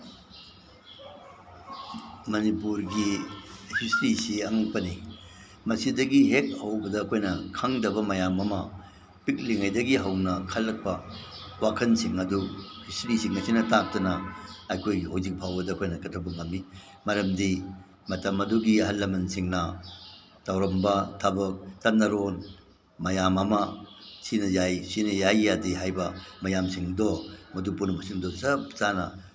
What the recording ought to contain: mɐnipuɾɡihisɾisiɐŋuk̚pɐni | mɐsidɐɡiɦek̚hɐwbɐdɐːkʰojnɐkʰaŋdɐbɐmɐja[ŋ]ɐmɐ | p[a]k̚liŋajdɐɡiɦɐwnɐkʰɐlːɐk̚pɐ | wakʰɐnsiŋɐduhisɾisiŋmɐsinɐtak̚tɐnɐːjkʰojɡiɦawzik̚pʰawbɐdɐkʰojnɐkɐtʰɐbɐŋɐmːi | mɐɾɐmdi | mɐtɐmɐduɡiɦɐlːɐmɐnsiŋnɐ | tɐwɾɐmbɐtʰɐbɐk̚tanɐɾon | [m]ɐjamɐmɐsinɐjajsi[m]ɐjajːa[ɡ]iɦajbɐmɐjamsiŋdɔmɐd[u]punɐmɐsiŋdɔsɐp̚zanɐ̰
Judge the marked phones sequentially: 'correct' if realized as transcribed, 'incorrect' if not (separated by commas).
incorrect, incorrect, correct, incorrect, incorrect, correct